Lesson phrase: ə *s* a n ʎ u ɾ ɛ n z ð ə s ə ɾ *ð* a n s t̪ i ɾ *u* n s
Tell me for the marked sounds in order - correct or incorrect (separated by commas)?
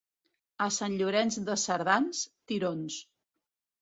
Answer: correct, correct, incorrect